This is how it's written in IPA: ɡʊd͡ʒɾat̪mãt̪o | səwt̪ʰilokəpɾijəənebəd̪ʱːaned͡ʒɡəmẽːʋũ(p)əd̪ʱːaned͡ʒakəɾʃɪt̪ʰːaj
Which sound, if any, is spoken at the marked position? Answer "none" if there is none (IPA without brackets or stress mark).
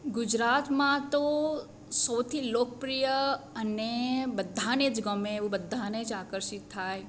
b